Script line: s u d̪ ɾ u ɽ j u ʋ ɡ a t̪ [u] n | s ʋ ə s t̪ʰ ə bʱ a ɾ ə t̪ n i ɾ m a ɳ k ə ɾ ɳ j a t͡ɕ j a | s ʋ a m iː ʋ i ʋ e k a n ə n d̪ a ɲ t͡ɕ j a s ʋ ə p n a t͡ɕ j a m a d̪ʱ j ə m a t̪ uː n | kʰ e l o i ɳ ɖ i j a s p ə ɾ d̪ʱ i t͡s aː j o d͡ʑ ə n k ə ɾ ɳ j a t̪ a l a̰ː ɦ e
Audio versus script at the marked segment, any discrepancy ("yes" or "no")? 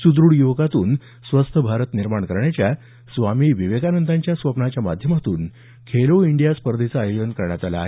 yes